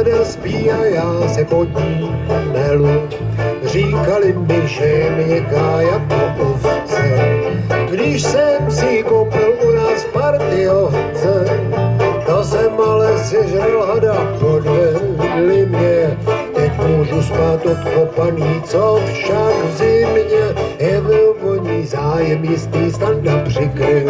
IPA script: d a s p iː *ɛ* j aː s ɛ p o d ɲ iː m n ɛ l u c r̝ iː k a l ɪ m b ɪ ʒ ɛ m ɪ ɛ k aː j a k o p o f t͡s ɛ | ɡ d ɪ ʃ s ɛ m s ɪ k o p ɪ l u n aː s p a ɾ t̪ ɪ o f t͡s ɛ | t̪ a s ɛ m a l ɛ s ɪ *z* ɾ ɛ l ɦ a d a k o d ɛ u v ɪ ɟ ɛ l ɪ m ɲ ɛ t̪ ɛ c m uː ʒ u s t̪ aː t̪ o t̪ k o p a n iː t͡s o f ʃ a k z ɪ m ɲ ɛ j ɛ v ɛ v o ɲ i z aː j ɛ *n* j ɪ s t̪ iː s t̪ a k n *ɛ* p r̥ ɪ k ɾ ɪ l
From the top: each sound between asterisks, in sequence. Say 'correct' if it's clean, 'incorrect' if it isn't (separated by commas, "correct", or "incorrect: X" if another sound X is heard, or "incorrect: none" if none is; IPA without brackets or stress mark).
incorrect: a, correct, incorrect: m, incorrect: a